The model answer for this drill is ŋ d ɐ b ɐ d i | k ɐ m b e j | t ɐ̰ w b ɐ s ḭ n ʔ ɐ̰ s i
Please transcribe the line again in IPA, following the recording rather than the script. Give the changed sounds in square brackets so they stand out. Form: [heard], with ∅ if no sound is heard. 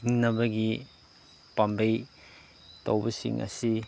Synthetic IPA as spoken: ŋ [n] ɐ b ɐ [ɡ] i | [p] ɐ m b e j | t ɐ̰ w b ɐ s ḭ [ŋ] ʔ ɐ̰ s i